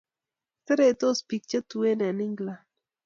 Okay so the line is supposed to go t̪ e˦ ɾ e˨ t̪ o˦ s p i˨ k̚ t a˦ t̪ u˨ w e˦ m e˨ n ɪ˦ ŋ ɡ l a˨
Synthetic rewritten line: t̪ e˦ ɾ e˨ t̪ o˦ s p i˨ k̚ t͡ʃ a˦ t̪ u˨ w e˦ n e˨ n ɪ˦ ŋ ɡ l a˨